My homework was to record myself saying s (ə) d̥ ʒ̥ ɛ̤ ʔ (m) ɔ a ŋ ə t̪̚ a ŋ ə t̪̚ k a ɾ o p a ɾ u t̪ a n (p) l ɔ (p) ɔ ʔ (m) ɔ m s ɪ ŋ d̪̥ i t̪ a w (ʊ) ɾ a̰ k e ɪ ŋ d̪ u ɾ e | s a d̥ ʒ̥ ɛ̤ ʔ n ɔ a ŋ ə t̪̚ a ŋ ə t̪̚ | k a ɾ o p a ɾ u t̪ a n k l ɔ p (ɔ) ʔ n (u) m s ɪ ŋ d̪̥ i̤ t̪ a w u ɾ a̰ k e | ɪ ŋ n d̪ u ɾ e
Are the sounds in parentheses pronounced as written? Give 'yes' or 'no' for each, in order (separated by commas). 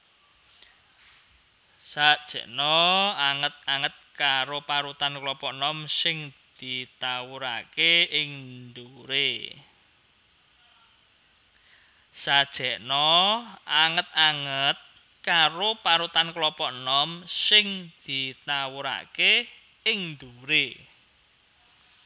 no, no, no, yes, no, no, yes, no